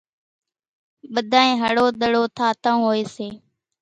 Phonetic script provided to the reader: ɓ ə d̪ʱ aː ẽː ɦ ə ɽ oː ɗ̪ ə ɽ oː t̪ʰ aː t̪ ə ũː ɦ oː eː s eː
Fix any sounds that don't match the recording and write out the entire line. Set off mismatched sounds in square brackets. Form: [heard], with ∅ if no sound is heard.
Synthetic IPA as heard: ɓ ə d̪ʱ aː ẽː ɦ ə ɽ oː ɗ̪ ə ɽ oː t̪ʰ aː t̪ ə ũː ɦ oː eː s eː